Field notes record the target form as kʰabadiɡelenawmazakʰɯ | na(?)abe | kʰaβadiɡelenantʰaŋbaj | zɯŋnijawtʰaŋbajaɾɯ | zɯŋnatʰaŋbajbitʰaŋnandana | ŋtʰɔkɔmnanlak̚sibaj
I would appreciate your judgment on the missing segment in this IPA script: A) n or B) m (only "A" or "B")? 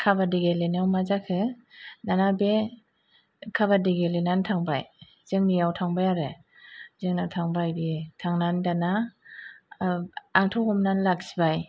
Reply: A